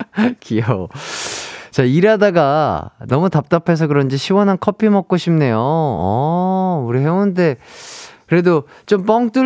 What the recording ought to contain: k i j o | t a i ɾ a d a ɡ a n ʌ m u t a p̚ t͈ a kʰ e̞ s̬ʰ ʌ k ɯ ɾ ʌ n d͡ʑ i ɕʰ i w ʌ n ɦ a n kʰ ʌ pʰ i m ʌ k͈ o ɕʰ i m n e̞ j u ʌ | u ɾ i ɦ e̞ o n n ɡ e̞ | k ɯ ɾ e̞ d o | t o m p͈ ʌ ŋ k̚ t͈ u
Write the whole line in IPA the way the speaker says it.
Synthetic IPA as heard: k i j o | t͡ɕ a i ɾ a d a ɡ a n ʌ m u t a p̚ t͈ a pʰ e̞ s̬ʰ ʌ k ɯ ɾ ʌ n d͡ʑ i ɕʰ i w ʌ n ɦ a n kʰ ʌ pʰ i m ʌ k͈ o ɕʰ i m n e̞ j o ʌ | u ɾ i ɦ e̞ o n n d e̞ | k ɯ ɾ e̞ d o | t͡ɕ o m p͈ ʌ ŋ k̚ t͈ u